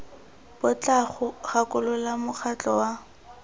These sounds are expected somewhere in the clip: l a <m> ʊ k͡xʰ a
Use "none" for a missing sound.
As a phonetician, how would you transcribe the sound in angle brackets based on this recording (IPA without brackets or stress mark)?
m